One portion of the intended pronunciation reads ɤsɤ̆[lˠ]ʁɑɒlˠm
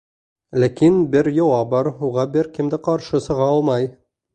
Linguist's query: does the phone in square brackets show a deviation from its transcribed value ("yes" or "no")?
yes